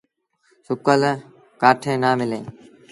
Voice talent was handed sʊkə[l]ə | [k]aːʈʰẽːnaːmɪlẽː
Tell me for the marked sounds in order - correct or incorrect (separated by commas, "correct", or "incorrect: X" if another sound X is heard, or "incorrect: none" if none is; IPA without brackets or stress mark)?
correct, correct